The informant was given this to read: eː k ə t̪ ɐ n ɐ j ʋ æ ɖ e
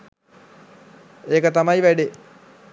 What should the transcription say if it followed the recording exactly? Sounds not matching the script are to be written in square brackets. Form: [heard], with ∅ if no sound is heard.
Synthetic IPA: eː k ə t̪ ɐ [m] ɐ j ʋ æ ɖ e